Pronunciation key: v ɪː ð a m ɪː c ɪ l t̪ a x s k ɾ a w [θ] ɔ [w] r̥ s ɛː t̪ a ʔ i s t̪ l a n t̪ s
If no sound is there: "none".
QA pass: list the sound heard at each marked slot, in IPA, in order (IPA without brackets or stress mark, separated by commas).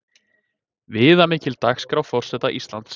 f, none